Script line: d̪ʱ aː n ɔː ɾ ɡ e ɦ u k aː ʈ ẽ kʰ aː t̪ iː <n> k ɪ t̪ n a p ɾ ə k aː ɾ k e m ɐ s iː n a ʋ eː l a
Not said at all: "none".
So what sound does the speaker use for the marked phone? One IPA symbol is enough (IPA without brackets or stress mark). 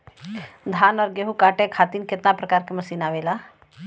n